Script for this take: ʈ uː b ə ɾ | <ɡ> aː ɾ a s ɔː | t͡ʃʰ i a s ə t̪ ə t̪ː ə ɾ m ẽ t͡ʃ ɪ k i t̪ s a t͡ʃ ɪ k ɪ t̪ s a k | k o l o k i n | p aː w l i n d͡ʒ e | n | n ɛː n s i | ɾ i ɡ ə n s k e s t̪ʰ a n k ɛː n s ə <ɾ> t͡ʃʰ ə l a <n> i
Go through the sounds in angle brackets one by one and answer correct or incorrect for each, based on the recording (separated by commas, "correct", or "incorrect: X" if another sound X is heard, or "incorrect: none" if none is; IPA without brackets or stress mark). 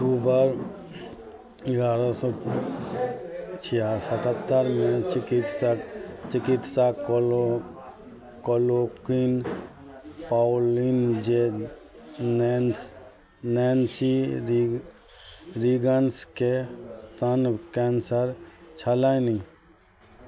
correct, correct, correct